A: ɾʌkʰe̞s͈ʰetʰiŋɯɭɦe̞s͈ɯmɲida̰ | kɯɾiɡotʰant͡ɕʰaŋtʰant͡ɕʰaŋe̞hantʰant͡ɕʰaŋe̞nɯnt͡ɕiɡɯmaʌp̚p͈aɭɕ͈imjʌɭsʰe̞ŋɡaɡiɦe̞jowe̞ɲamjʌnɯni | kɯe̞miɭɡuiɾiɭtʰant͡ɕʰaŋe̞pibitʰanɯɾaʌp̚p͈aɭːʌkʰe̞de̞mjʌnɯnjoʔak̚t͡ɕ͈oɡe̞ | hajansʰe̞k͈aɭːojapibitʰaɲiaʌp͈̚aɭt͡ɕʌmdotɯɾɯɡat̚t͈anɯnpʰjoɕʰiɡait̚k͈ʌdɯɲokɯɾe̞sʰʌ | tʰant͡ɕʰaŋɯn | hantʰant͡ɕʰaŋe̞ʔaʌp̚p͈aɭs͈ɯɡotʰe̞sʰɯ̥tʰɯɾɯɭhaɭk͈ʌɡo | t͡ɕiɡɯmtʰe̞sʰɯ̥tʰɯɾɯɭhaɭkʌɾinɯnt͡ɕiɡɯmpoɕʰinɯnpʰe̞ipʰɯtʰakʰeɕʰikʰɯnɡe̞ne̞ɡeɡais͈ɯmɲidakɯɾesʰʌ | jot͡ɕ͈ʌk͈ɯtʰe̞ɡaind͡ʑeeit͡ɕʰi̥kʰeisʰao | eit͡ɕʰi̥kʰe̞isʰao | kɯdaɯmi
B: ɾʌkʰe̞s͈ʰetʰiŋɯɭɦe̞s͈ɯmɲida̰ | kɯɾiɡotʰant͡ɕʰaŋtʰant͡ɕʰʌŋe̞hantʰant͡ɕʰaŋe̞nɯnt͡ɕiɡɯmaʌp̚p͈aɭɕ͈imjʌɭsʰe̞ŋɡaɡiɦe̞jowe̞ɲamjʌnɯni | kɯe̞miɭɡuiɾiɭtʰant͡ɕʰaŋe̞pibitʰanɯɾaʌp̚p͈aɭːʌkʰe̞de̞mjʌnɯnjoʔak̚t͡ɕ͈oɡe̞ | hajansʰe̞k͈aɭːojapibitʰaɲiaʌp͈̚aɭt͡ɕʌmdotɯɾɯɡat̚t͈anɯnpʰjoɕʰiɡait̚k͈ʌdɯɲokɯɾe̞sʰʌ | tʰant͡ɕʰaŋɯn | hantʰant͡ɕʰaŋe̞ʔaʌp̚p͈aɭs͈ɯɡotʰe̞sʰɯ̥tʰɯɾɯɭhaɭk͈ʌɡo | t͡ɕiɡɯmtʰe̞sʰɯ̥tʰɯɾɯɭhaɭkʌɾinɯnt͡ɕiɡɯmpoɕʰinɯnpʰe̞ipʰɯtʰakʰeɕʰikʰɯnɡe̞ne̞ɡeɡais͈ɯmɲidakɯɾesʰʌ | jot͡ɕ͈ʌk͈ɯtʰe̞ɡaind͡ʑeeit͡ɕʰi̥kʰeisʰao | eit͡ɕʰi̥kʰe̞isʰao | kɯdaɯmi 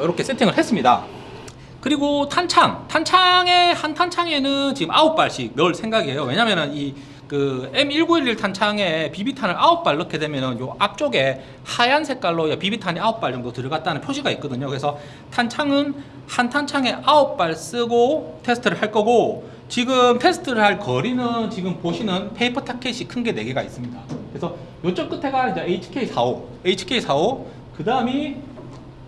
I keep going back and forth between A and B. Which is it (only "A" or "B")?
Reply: A